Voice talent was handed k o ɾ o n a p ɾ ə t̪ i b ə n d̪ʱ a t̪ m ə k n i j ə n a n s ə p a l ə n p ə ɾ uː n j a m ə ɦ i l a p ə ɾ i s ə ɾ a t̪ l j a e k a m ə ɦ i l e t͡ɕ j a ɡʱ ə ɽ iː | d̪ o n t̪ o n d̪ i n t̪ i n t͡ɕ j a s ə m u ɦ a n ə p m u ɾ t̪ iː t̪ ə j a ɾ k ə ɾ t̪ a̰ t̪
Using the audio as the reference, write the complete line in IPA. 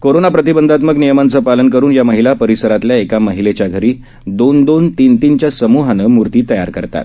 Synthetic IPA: k o ɾ o n a p ɾ ə t̪ i b ə n d̪ʱ a t̪ m ə k n i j ə m a n t͡s ə p a l ə n k ə ɾ uː n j a m ə ɦ i l a p ə ɾ i s ə ɾ a t̪ l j a e k a m ə ɦ i l e t͡ɕ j a ɡʱ ə ɾ iː | d̪ o n d̪ o n t̪ i n t̪ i n t͡ɕ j a s ə m u ɦ a n ə m u ɾ t̪ iː t̪ ə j a ɾ k ə ɾ t̪ a̰ t̪